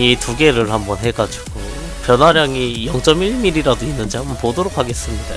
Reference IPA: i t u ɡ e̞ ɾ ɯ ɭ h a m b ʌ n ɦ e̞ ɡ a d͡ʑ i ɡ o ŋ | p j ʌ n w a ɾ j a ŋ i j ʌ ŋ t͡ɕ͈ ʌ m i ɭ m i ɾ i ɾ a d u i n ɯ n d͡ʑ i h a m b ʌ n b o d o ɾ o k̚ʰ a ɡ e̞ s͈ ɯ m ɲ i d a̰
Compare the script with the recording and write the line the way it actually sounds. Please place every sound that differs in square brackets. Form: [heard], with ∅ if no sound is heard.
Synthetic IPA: i t u ɡ e̞ ɾ ɯ ɭ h a m b ʌ n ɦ e̞ ɡ a d͡ʑ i ɡ o [∅] | p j ʌ n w a ɾ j a ŋ i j ʌ ŋ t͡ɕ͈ ʌ m i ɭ m i ɾ i ɾ a d [o] i [nː] ɯ n d͡ʑ i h a m b ʌ n [p] o d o ɾ o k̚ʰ a ɡ e̞ s͈ ɯ m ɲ i d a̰